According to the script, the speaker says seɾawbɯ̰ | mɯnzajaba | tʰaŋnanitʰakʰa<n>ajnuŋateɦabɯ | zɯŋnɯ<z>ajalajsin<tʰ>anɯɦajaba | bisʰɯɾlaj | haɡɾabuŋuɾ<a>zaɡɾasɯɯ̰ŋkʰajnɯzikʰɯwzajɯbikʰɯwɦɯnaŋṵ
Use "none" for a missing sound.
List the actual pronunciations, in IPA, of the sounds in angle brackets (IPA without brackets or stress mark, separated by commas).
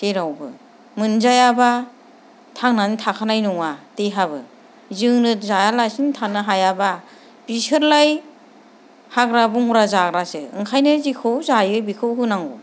n, z, tʰ, a